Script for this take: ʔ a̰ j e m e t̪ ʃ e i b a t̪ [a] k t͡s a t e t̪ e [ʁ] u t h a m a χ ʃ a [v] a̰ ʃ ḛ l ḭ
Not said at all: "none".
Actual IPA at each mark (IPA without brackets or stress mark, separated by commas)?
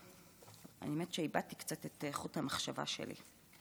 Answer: i, χ, v